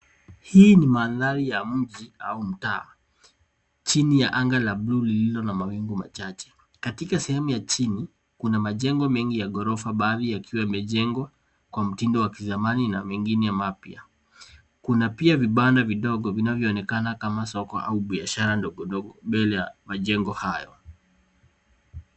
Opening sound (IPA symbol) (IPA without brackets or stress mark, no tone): h